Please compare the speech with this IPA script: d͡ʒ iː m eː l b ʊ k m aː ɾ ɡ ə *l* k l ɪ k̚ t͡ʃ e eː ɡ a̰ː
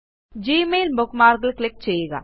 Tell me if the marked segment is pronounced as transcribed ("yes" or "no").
yes